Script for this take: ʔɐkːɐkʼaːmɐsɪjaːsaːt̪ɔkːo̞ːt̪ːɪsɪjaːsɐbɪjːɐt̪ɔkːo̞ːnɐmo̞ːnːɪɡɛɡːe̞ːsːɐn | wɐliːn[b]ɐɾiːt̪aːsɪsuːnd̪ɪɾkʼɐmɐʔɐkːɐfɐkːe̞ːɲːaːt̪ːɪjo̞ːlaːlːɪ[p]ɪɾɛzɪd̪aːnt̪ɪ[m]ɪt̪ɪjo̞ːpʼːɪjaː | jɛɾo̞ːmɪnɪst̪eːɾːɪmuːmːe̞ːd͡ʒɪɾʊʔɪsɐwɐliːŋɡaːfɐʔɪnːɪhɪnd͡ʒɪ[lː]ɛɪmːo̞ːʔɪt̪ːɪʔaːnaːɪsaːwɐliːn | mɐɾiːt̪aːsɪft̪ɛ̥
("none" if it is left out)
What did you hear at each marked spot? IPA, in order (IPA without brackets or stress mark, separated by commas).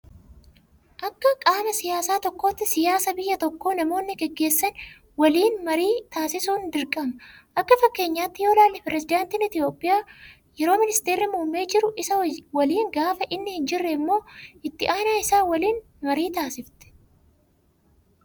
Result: m, p, n, rː